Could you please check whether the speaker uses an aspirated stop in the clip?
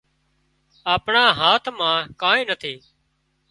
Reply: yes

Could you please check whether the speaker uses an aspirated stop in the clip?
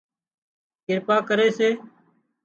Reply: no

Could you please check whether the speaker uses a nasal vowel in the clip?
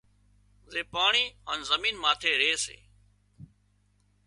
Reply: no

